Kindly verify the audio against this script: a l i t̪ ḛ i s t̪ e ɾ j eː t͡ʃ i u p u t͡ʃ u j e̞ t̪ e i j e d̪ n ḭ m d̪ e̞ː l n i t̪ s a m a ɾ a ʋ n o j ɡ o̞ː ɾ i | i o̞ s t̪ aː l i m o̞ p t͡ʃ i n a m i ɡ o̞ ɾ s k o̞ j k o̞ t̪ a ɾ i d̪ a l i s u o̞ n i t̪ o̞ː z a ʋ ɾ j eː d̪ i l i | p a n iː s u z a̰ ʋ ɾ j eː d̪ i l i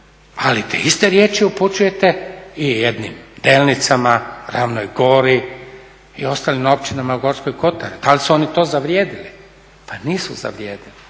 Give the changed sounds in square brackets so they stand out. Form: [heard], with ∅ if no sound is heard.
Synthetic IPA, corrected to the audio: a l i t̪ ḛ i s t̪ e ɾ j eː t͡ʃ i u p u t͡ʃ u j e̞ t̪ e i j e d̪ n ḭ m d̪ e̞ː l n i t̪ s a m a ɾ a ʋ n o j ɡ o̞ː ɾ i | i o̞ s t̪ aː l i m o̞ p t͡ʃ i n a m [a] ɡ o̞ ɾ s k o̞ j k o̞ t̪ a ɾ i d̪ a l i s u o̞ n i t̪ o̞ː z a ʋ ɾ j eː d̪ i l i | p a n iː s u z a̰ ʋ ɾ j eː d̪ i l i

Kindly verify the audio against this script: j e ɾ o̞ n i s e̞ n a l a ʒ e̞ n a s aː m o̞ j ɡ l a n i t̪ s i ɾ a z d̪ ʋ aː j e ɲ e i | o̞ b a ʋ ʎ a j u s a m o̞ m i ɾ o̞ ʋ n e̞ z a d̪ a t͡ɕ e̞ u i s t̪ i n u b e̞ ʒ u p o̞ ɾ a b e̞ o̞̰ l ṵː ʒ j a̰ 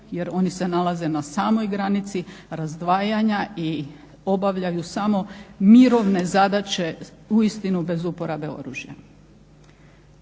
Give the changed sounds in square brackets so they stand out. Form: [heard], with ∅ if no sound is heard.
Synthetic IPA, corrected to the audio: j e ɾ o̞ n i s e̞ n a l a [z] e̞ n a s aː m o̞ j ɡ [ɾ] a n i t̪ s i ɾ a z d̪ ʋ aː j [a] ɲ [a] i | o̞ b a ʋ ʎ a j u s a m o̞ m i ɾ o̞ ʋ n e̞ z a d̪ a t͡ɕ e̞ u i s t̪ i n u b e̞ [z] u p o̞ ɾ a b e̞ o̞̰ [ɾ] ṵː ʒ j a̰

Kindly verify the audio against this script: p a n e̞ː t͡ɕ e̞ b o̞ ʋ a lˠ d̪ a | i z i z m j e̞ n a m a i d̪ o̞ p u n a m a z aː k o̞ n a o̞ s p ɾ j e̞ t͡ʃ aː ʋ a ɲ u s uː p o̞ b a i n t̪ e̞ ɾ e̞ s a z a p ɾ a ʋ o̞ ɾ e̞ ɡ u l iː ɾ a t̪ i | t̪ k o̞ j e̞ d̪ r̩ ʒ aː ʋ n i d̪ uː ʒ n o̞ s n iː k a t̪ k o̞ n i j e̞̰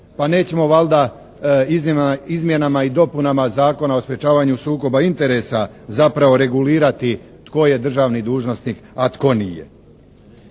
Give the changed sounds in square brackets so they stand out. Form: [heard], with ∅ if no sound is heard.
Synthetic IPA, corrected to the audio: p a n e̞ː t͡ɕ e̞ [m] o̞ ʋ a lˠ d̪ a | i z i z m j e̞ n a m a i d̪ o̞ p u n a m a z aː k o̞ n a o̞ s p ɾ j e̞ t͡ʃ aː ʋ a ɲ u s uː [k] o̞ b a i n t̪ e̞ ɾ e̞ s a z a p ɾ a ʋ o̞ ɾ e̞ ɡ u l iː ɾ a t̪ i | t̪ k o̞ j e̞ d̪ r̩ ʒ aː ʋ n i d̪ uː ʒ n o̞ s n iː k a t̪ k o̞ n i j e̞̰

